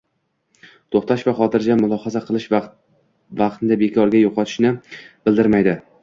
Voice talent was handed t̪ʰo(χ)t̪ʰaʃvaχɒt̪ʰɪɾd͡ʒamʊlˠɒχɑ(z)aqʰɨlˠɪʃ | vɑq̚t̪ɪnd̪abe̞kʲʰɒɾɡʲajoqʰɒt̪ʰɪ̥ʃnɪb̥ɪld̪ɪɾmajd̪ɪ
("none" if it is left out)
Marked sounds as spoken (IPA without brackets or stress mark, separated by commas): χ, z